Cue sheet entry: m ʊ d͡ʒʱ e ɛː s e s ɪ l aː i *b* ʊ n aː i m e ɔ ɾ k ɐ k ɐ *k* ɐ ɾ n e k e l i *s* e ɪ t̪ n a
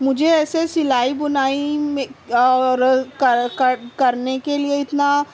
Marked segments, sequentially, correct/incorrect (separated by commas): correct, correct, incorrect